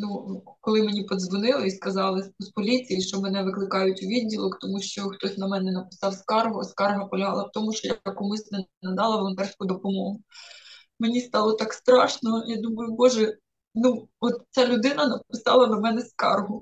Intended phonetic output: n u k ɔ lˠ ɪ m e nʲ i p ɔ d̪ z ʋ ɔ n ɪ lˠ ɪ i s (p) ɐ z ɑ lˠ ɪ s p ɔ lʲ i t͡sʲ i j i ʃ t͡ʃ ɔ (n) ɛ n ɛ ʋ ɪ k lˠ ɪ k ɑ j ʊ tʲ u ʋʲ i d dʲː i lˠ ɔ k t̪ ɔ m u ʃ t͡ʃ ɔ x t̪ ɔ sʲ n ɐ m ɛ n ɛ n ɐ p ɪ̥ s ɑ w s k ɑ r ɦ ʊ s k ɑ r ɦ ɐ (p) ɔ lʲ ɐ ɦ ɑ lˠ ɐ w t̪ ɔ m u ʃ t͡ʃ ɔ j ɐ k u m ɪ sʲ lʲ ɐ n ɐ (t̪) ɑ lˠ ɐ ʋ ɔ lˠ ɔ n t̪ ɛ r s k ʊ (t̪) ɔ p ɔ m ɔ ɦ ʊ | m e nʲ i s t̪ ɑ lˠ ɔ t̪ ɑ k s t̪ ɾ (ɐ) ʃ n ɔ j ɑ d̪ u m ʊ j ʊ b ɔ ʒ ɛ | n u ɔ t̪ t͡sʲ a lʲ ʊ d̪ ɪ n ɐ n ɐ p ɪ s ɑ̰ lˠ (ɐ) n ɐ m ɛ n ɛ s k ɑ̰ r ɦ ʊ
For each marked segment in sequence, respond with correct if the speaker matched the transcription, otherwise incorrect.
incorrect: k, incorrect: m, correct, incorrect: d̪, incorrect: d̪, incorrect: ɑ, correct

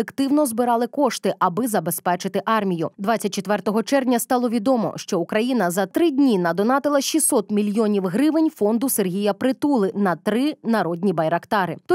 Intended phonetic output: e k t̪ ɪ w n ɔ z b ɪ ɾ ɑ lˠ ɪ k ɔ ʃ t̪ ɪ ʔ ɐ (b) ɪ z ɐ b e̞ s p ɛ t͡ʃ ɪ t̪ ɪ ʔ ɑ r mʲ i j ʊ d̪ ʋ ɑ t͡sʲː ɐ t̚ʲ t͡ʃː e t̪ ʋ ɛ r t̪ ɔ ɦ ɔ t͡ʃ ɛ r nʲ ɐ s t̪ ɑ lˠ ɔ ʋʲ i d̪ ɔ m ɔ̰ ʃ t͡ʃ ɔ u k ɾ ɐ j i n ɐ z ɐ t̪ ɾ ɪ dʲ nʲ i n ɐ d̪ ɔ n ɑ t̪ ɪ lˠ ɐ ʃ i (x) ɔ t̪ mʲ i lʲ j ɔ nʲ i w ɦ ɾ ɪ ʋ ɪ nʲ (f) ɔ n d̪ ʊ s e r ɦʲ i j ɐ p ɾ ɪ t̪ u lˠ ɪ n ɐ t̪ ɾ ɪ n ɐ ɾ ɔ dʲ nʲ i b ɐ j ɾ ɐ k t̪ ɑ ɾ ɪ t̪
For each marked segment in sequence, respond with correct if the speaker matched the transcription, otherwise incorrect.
correct, incorrect: s, correct

